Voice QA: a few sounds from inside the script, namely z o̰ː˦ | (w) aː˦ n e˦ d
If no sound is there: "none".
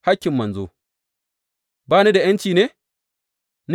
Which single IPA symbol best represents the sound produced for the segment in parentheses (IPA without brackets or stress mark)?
b